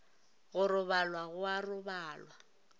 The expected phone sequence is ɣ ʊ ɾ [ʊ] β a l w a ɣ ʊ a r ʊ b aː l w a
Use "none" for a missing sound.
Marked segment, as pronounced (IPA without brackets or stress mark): ʊ